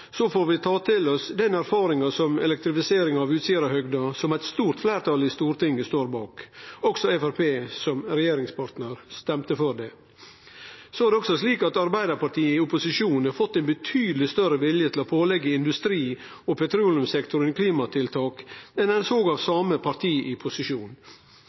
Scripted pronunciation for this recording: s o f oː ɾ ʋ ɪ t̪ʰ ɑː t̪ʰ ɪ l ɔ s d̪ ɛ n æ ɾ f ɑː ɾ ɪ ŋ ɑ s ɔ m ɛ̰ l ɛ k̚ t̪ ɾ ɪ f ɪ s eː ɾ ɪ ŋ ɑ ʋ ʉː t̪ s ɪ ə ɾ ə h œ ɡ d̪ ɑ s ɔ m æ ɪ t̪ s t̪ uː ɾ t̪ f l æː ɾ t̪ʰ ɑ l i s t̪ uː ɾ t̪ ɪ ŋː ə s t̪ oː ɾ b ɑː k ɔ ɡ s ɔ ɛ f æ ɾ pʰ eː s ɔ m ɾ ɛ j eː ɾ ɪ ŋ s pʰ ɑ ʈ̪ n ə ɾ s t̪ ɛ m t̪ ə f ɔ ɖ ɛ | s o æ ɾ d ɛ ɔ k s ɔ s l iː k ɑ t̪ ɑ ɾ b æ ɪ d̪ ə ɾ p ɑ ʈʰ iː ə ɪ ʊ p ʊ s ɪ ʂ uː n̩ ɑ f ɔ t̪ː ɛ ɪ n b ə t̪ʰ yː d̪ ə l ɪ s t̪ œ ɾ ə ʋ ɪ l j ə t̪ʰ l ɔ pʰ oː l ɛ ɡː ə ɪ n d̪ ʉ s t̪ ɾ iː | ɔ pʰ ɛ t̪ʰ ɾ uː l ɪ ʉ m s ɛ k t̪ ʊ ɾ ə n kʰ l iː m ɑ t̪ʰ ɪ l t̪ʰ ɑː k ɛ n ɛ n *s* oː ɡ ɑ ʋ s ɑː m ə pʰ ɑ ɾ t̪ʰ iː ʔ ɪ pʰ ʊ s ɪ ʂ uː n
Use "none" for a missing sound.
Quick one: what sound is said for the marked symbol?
s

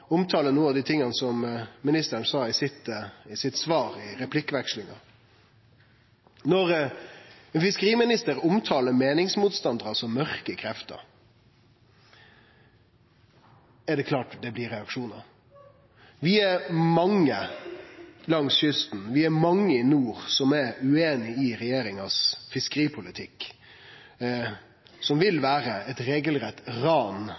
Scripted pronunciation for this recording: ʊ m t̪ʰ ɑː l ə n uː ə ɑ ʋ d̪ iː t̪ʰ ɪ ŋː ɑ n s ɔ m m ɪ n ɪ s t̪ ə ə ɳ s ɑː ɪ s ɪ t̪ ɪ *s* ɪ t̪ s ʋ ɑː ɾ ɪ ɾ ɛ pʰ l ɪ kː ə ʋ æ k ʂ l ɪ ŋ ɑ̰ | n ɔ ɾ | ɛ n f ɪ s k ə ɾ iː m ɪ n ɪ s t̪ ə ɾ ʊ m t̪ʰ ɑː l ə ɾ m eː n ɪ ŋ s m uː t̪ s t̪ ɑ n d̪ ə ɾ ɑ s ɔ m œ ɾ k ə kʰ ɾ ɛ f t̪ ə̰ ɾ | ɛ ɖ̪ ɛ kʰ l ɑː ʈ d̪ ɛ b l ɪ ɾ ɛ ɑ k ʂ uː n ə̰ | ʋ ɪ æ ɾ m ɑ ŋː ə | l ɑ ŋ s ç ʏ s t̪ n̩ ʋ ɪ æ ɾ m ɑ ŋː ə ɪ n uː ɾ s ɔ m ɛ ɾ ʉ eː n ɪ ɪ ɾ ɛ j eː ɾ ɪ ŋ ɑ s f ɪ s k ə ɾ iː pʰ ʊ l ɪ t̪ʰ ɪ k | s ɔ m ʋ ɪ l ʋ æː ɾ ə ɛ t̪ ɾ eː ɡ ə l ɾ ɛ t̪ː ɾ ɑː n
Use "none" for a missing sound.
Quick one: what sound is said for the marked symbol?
s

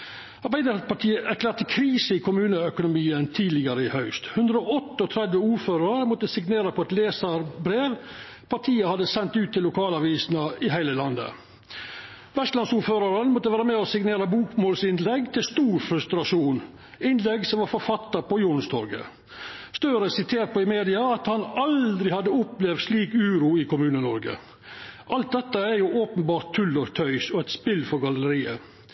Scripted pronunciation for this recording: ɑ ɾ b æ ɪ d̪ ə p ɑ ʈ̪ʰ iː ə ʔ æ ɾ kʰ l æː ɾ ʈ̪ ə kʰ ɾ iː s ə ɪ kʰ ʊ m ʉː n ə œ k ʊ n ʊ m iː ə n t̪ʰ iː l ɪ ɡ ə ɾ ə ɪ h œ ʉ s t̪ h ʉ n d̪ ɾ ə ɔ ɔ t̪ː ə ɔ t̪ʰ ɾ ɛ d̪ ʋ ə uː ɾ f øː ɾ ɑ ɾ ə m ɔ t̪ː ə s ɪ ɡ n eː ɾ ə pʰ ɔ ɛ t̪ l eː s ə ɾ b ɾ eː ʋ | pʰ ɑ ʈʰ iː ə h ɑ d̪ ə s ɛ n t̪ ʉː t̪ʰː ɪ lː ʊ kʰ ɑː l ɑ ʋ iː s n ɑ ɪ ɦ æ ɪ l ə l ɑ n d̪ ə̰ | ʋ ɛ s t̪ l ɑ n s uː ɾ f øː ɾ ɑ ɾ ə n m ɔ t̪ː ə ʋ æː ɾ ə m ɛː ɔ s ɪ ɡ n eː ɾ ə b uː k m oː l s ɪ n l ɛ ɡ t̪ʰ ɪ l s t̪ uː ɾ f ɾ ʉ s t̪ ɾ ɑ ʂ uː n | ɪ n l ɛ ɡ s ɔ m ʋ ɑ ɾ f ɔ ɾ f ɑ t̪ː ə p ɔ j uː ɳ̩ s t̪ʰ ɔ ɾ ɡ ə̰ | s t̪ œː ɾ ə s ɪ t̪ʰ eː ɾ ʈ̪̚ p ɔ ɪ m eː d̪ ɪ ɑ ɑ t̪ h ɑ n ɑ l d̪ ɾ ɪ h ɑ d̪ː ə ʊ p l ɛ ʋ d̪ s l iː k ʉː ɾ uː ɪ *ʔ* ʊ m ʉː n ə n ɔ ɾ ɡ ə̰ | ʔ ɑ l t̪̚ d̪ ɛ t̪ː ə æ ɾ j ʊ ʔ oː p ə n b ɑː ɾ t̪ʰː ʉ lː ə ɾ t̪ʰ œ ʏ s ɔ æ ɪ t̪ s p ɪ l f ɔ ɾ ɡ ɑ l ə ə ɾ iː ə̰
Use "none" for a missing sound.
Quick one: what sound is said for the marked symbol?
k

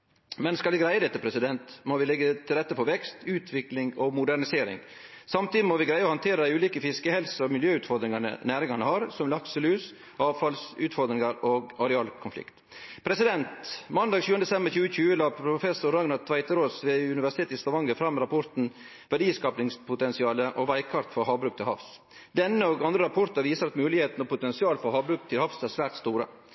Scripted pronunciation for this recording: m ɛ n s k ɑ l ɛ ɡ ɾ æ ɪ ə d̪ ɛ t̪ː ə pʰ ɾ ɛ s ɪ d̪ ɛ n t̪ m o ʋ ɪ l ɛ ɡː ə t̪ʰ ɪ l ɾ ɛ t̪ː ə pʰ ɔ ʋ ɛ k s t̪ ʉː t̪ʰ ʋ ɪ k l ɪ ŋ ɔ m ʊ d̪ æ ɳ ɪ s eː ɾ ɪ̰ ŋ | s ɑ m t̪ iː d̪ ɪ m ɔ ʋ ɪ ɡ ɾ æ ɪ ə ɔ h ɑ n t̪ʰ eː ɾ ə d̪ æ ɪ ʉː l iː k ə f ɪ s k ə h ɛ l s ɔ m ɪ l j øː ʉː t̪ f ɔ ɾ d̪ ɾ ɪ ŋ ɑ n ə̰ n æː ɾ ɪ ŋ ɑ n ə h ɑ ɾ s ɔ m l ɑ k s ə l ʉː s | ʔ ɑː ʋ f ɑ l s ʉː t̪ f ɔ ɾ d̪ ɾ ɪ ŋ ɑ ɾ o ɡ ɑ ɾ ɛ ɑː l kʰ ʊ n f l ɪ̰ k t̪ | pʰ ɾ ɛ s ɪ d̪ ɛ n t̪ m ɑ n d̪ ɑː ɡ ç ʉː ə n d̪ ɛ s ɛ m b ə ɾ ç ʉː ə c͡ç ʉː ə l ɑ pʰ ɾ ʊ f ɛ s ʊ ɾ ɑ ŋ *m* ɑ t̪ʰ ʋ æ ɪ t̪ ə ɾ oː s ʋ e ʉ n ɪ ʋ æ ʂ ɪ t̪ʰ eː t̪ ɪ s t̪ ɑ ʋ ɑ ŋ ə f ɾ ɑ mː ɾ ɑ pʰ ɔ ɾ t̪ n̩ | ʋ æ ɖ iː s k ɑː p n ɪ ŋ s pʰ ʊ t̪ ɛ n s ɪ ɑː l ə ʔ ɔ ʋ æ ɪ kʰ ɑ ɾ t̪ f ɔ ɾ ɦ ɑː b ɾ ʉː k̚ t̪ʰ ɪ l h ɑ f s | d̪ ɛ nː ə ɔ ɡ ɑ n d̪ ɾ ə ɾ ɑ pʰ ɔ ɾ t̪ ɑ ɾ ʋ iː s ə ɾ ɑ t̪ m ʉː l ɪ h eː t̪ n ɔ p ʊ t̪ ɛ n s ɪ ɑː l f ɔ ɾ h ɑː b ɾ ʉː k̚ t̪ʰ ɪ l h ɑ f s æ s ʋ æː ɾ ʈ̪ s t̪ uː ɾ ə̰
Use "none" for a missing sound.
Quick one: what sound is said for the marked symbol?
n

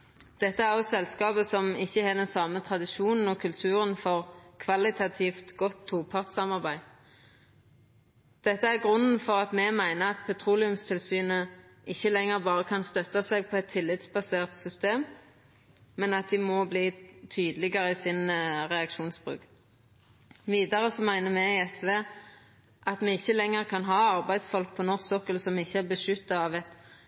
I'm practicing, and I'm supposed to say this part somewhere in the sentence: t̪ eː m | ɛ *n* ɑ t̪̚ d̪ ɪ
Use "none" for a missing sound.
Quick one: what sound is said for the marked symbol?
n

